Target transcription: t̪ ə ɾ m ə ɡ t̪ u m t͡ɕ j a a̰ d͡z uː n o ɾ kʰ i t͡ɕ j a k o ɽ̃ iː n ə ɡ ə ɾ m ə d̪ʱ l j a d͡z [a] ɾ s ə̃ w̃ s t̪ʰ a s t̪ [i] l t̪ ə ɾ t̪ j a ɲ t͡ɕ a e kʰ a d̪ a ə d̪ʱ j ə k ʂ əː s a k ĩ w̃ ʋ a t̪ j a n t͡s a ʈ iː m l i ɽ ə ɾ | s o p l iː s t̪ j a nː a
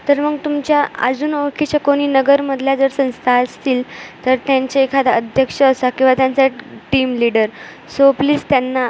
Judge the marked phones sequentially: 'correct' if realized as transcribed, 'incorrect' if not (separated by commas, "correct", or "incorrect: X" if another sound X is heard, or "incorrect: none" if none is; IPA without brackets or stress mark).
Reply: incorrect: ə, incorrect: iː